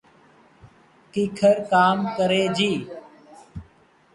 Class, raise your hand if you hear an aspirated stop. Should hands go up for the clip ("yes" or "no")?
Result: yes